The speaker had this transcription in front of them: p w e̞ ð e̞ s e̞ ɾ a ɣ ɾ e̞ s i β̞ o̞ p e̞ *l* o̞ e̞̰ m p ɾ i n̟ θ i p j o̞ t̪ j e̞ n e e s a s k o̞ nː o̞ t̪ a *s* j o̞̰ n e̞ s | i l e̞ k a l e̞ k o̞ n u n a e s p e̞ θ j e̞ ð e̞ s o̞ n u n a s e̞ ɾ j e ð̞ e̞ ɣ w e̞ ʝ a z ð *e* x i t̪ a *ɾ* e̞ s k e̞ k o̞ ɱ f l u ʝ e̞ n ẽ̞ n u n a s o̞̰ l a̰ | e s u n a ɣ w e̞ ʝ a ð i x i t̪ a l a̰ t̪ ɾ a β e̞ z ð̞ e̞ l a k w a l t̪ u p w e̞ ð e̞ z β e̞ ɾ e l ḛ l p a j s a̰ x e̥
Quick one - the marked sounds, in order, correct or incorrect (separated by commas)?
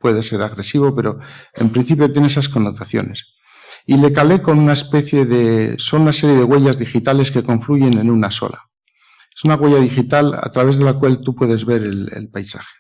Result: incorrect, incorrect, incorrect, incorrect